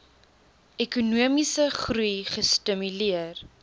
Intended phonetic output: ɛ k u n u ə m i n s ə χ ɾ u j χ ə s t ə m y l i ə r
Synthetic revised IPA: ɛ k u n u ə m i s ə χ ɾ u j χ ə s t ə m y l i ə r

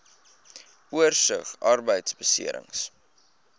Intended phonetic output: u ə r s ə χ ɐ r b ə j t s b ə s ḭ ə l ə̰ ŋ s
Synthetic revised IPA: u ə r s ə χ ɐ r b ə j t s b ə s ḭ ə ɾ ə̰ ŋ s

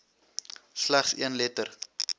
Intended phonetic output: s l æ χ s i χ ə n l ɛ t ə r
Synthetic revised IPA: s l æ χ s i ə n l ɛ t ə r

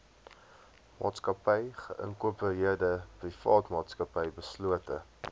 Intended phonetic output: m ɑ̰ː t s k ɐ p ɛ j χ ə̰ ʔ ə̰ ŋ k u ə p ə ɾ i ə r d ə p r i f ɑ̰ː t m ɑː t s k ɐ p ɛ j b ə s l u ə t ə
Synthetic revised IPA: m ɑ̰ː t s k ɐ p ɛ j χ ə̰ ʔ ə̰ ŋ k u ə p ə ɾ i ə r d ə p r i f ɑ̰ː t m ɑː t s k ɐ p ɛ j b ə s l u ə t ə

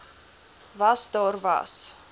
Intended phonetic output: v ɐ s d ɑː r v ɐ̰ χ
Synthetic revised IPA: v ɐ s d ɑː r v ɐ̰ s

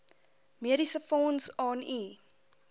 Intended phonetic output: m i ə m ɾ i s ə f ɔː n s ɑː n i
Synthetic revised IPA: m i ə ɾ i s ə f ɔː n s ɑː n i

